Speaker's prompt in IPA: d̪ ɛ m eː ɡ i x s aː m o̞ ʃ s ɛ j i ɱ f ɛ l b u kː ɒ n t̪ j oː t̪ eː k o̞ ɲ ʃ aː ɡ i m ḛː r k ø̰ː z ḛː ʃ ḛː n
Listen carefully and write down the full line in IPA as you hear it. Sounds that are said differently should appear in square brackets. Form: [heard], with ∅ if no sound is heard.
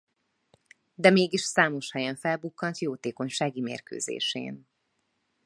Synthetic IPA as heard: d̪ ɛ m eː ɡ i [ʃ] s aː m o̞ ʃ [h] ɛ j [ɛ] ɱ f ɛ l b u kː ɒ n t̪ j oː t̪ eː k o̞ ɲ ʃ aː ɡ i m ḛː r k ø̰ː z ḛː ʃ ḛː n